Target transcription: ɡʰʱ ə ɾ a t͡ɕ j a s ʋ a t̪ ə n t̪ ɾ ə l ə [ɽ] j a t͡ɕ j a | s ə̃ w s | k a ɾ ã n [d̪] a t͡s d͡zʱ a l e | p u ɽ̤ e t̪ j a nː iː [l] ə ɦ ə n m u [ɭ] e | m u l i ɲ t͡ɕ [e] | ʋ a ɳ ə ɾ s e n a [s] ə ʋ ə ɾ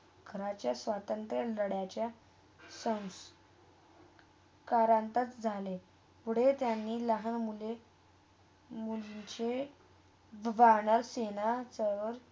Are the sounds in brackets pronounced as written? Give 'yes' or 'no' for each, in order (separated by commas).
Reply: yes, no, yes, no, yes, no